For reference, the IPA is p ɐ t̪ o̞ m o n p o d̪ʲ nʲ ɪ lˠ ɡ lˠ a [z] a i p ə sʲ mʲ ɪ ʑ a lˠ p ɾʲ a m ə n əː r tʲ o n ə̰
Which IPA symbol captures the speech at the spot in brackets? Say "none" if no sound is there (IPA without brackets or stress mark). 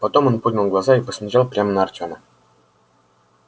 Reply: z